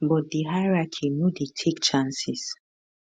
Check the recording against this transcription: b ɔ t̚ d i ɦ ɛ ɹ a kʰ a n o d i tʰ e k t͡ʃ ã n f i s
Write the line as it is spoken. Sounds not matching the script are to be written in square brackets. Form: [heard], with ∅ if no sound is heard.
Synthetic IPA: b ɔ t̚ d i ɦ [a] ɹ a kʰ [i] n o d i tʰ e k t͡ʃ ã n [s] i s

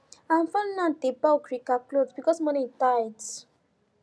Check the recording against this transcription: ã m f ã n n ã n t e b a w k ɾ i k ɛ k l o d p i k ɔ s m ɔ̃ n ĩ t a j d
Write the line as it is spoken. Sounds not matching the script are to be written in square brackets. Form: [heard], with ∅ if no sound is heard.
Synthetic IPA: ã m f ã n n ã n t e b a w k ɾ i k [a] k l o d [b] i k ɔ s m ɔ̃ n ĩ t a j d

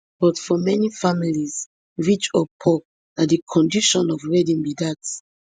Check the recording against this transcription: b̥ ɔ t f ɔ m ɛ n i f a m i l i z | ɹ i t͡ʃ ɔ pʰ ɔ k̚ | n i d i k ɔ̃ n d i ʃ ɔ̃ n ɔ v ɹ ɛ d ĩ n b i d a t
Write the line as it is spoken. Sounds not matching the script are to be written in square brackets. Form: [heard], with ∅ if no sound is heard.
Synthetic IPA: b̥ ɔ t f ɔ m ɛ n i f a m i l i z | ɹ i t͡ʃ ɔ pʰ ɔ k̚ | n [a] d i [kʰ] ɔ̃ n d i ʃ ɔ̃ n ɔ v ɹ ɛ d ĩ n b i d a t

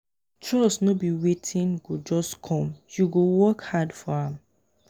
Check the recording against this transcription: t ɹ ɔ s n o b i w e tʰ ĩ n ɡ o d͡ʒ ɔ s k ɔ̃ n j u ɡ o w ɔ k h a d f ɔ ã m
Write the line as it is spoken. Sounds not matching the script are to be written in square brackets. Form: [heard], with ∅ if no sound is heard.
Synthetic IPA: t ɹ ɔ s n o b i w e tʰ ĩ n ɡ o d͡ʒ ɔ s [kʰ] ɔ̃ [m] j u ɡ o w ɔ k h a d f ɔ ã m

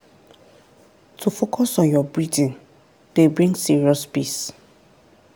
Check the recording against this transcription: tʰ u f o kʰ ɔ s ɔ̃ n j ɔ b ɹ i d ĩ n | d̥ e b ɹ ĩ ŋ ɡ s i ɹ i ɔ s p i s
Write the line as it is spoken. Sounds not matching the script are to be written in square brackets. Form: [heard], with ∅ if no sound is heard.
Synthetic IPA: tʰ u f o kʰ ɔ s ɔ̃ n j ɔ b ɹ i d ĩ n | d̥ e b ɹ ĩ ŋ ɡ s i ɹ i ɔ s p i s

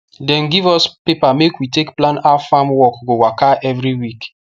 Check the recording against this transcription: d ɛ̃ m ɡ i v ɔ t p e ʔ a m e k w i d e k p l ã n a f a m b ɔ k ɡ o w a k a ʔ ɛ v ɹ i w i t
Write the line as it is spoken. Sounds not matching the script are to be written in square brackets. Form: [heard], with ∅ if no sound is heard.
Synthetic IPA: d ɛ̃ [n] ɡ i v ɔ [s] p e [p] a m e k w i [t] e k p l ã n a f a m [w] ɔ k ɡ o w a k a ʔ ɛ v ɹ i w i [k]

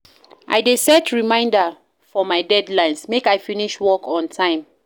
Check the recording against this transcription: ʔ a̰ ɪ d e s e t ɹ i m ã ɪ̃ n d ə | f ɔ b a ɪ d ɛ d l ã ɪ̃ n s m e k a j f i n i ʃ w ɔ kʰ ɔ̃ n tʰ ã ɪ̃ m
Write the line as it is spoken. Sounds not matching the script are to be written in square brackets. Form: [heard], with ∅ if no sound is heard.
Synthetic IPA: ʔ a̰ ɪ d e s [ɛ] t ɹ i m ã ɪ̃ n d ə | f ɔ [m] a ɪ d ɛ d l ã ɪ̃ n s m e k a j f i n i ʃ w ɔ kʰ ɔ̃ n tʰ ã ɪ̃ m

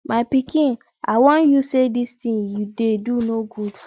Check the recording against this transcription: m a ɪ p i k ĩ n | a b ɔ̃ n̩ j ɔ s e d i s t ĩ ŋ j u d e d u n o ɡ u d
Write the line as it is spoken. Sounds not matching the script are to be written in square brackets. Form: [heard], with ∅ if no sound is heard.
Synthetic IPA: m a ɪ p i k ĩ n | a [w] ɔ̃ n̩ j [u] s e d i s t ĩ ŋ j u d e d u n o ɡ u d

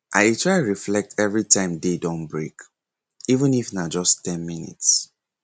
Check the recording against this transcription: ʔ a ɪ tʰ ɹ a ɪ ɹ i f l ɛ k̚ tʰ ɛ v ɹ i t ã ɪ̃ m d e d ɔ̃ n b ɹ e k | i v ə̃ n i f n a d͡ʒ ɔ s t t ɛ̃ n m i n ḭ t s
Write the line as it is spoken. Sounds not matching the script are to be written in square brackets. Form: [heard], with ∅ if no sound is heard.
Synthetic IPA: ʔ a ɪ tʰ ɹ a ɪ ɹ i f l ɛ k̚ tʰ ɛ v ɹ i t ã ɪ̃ m d e d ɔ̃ n b ɹ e k | i v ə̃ n i f n a d͡ʒ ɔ s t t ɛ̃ n m i n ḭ t s

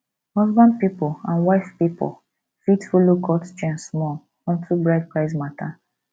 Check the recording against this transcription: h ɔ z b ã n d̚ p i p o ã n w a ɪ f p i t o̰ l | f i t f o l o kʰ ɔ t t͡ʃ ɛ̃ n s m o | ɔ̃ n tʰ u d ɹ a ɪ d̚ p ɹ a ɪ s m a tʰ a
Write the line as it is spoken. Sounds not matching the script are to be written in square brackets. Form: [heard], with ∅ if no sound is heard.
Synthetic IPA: h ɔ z b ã n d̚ p i p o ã n w a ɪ f p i [p] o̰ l | f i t f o l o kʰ ɔ t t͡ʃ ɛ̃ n s m [ɔ] | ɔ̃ n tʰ u [b] ɹ a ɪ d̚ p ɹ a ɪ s m a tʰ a

